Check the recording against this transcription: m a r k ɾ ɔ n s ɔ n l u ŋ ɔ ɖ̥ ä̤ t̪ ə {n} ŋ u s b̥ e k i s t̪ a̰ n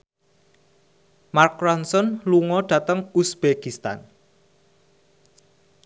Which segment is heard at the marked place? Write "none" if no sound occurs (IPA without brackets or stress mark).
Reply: none